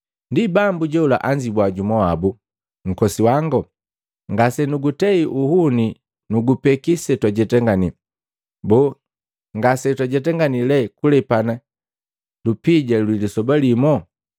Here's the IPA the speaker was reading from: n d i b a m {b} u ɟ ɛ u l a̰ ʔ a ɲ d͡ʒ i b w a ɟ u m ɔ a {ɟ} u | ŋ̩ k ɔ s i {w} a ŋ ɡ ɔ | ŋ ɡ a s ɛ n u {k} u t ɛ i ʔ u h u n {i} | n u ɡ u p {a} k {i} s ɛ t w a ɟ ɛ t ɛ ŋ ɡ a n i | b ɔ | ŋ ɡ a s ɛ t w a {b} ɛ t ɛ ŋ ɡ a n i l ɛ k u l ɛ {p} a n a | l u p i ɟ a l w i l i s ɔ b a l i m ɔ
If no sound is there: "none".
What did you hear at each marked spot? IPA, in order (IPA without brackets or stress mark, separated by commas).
b, b, w, ɡ, i, ɛ, i, ɟ, p